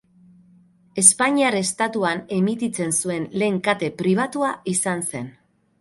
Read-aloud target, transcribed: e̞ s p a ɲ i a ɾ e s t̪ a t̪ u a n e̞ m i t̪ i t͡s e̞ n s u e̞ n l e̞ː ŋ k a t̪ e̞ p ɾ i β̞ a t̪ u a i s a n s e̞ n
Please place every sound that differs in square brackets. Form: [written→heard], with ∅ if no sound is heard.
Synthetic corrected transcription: e̞ s p a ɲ i a ɾ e s t̪ a t̪ u a n e̞ m i t̪ i t͡s e̞ n s u e̞ n l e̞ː ŋ k a t̪ e̞ p ɾ i β̞ a t̪ u a i s a n s e̞ n